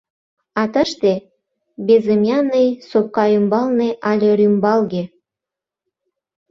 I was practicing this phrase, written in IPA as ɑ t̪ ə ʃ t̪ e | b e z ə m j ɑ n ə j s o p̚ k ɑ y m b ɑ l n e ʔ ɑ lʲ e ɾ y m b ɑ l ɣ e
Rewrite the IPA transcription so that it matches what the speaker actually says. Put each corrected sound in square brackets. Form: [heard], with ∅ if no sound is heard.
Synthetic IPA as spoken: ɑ t̪ ə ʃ t̪ e | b e z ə m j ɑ n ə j s o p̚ k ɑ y m b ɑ l n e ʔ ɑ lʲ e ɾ y m b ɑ l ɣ e